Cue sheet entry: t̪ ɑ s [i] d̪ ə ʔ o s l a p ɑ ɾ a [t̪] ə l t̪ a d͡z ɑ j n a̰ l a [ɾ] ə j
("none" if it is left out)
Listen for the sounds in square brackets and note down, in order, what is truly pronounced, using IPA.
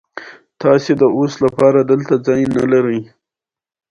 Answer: e, d̪, ɾ

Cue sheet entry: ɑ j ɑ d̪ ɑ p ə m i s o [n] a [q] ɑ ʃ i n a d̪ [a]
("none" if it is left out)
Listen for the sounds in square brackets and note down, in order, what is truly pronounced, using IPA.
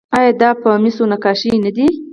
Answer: n, k, i

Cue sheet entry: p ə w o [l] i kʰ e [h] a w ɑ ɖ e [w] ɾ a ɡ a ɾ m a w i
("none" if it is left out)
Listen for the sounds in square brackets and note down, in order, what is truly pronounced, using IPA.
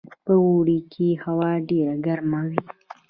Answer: ɽ, h, none

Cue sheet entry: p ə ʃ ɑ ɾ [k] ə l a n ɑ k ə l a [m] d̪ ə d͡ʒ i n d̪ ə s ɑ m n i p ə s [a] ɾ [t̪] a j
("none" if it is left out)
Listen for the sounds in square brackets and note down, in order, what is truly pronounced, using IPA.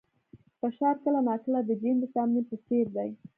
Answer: k, none, e, d̪

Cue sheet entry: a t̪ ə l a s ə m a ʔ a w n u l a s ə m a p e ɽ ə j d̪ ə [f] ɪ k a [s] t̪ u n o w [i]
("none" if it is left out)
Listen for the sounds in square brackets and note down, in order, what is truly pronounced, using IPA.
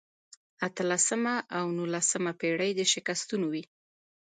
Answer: ʃ, s, i

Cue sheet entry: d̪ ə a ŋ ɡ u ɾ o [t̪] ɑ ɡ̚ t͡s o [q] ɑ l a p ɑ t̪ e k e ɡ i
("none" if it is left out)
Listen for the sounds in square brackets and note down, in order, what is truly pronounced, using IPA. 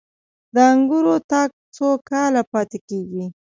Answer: t̪, k

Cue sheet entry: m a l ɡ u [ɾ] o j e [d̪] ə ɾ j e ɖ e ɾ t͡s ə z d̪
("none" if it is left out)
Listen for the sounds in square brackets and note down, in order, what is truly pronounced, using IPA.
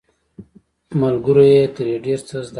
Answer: ɾ, t̪

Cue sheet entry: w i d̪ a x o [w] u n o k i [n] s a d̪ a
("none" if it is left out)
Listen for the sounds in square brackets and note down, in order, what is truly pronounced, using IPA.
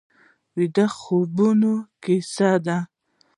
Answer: b, none

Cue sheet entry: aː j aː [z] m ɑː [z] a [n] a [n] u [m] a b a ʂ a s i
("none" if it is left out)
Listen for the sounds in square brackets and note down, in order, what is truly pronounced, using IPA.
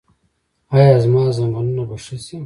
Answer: z, z, m, n, n

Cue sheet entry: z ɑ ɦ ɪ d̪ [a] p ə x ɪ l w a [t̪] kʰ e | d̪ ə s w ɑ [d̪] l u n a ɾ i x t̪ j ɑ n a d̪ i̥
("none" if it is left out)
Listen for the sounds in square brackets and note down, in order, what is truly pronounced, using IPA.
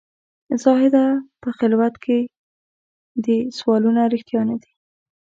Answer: a, t̪, none

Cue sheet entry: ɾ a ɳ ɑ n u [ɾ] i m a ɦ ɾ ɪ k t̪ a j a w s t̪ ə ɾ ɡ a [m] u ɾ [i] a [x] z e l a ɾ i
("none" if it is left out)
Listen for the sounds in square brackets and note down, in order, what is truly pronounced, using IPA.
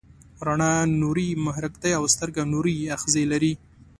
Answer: ɾ, n, i, x

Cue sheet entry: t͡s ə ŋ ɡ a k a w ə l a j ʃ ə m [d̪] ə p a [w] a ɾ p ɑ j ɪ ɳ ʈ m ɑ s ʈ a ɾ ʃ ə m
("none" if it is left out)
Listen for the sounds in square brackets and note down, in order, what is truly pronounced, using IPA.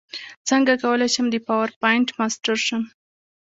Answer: d̪, w

